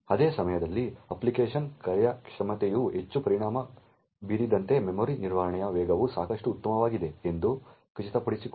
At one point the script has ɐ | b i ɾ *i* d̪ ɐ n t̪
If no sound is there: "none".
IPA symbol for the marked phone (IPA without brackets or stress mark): i